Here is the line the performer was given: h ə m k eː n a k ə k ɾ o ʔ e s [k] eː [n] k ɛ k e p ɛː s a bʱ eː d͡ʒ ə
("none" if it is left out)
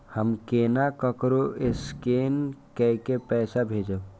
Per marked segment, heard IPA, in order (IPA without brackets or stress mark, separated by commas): k, n